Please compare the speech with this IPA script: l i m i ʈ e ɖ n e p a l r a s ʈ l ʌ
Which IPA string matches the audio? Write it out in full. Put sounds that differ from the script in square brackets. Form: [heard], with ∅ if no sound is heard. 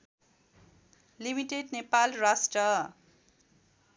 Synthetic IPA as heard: l i m i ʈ e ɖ n e p a l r a s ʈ [r] ʌ